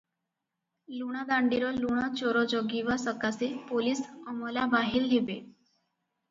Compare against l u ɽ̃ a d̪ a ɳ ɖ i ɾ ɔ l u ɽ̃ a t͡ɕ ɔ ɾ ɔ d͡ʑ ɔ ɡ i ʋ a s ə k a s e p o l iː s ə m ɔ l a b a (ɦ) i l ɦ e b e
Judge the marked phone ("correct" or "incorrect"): correct